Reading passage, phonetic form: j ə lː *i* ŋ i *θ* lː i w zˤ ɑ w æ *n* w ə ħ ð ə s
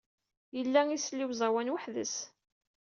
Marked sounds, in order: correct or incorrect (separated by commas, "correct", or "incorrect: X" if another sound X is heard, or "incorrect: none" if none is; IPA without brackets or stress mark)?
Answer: incorrect: æ, incorrect: s, correct